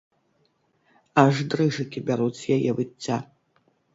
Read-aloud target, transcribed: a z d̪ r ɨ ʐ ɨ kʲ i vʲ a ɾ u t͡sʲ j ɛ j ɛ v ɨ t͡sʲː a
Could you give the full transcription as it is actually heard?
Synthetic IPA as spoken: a ʐ d̪ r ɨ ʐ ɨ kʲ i bʲ a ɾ u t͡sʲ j a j ɛ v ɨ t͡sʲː a